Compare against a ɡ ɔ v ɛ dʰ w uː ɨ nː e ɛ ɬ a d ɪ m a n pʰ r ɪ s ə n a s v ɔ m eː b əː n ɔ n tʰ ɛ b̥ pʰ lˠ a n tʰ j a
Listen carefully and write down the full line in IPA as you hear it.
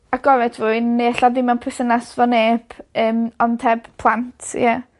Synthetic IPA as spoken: a ɡ ɔ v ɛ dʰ v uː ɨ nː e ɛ ɬ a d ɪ m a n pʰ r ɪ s ə n a s v ɔ n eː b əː m ɔ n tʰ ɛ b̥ pʰ lˠ a n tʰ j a